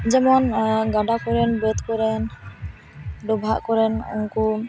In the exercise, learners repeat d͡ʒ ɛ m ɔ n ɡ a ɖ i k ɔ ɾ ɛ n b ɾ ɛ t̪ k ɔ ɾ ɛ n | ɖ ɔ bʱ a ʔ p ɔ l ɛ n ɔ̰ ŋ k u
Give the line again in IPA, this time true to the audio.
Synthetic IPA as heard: d͡ʒ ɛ m ɔ n ɡ a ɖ a k ɔ ɾ ɛ n b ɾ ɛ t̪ k ɔ ɾ ɛ n | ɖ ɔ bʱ a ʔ k ɔ ɾ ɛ n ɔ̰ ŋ k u